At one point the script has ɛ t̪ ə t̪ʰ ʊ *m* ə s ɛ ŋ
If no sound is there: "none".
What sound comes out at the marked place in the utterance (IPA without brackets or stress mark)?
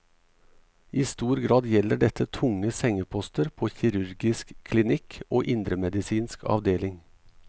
ŋ